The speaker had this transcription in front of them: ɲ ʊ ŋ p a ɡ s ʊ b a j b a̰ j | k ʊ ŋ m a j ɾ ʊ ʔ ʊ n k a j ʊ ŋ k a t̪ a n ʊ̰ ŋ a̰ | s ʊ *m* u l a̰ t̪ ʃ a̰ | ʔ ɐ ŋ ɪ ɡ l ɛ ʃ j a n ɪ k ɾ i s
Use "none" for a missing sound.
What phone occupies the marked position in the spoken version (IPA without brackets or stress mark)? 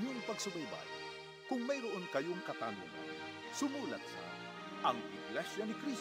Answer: m